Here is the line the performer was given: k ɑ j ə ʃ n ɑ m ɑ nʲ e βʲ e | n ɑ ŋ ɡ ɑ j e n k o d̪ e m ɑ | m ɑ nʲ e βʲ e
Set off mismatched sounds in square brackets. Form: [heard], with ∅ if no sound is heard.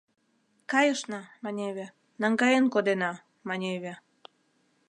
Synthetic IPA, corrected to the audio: k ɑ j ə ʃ n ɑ m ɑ nʲ e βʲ e | n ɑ ŋ ɡ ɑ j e n k o d̪ e [n] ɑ | m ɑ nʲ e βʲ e